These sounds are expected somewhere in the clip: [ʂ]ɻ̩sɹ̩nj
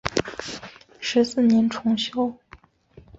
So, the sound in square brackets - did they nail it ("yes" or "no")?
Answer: yes